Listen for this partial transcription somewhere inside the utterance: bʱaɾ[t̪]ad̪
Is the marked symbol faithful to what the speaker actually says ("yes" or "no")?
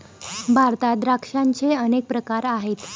yes